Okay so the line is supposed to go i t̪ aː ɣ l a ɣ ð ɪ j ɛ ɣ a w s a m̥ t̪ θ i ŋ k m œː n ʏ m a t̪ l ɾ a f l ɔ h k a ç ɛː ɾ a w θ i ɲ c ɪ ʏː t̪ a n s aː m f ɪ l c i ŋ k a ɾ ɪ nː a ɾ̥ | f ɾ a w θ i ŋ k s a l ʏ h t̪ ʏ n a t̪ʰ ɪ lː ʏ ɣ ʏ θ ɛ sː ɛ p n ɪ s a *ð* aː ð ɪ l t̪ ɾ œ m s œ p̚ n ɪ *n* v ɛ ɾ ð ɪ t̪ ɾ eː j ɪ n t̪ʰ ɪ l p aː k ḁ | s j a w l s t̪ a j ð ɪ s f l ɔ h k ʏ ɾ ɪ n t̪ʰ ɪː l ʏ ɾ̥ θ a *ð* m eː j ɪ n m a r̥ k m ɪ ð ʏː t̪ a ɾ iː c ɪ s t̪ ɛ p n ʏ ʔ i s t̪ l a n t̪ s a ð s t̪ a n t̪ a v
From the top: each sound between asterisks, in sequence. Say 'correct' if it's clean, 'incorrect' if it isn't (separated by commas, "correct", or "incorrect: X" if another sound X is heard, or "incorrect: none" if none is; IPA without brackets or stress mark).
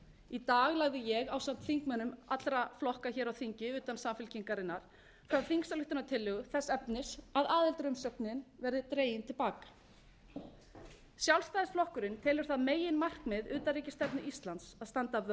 correct, correct, correct